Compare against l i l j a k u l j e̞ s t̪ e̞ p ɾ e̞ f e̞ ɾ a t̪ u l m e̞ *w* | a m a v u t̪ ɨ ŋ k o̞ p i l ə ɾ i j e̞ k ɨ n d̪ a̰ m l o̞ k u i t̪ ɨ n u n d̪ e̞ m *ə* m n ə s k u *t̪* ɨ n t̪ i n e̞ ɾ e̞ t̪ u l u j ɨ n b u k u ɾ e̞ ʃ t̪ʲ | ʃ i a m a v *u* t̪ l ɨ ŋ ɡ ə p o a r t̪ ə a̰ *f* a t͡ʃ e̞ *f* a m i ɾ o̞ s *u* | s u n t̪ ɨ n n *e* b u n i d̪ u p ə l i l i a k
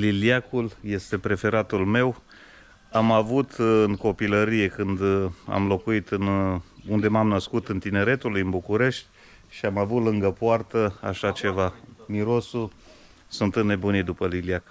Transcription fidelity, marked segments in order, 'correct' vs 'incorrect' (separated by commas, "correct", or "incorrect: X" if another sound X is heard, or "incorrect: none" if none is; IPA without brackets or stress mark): correct, incorrect: a, correct, correct, incorrect: ʃ, incorrect: v, correct, correct